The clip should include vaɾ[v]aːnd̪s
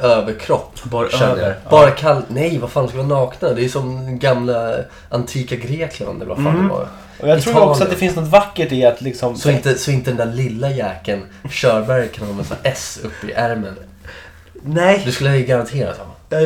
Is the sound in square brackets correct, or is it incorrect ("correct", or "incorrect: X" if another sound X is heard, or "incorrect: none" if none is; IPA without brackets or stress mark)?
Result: incorrect: f